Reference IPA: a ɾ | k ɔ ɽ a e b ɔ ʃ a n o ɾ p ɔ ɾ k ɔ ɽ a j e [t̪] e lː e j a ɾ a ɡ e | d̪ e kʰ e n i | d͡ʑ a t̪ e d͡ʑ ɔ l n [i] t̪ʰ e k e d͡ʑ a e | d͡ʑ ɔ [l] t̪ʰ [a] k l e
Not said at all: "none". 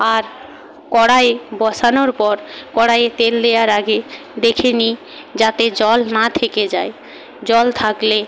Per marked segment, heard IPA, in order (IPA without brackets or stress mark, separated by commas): t̪, a, l, a